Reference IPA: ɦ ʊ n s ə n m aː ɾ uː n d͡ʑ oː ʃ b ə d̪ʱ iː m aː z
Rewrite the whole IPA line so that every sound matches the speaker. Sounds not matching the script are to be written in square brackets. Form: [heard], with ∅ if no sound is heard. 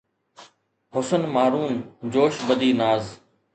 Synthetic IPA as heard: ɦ ʊ [∅] s ə n m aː ɾ uː n d͡ʑ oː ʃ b ə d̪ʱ iː [n] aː z